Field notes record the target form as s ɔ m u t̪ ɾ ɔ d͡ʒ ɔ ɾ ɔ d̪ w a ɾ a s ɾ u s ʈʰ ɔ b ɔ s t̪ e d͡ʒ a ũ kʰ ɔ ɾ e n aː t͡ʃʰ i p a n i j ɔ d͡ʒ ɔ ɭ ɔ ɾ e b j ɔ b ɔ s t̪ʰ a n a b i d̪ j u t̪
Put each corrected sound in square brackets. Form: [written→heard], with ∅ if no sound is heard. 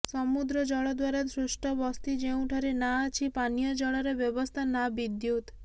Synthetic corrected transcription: s ɔ m u [t̪→d̪] ɾ ɔ d͡ʒ ɔ [ɾ→ɭ] ɔ d̪ w a ɾ a s ɾ u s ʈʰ ɔ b ɔ s t̪ [e→i] d͡ʒ [a→e] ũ [kʰ→ʈʰ] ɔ ɾ e n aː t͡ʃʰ i p a n i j ɔ d͡ʒ ɔ ɭ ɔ ɾ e b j ɔ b ɔ s t̪ʰ a n a b i d̪ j u t̪